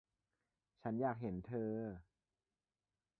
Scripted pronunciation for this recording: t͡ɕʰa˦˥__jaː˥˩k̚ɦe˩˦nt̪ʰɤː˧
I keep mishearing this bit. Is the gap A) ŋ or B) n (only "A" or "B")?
B